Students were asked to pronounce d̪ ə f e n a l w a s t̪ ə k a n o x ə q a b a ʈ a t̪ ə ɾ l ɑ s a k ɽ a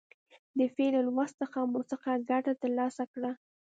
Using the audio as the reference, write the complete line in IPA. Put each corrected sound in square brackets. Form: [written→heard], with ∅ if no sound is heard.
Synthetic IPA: d̪ ə f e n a l w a s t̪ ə [k→x] a [n→m] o [x→s] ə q a [b→ɡ] a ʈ a t̪ ə ɾ l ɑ s a k ɽ a